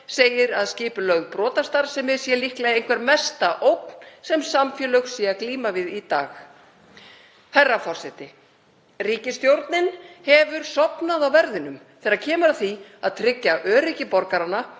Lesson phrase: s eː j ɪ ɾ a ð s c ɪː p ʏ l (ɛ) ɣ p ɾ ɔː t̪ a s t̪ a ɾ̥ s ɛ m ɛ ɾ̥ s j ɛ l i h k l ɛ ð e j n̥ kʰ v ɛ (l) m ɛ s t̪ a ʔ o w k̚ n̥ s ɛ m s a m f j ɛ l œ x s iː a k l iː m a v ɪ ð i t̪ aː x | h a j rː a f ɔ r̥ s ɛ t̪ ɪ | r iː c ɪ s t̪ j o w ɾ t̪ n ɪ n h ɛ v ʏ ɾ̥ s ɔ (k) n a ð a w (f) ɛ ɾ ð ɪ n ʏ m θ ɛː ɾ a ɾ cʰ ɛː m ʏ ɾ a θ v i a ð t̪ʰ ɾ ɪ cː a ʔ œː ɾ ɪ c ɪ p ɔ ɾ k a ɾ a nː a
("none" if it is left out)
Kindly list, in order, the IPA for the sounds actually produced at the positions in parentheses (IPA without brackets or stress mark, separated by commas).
œ, ɾ, p, v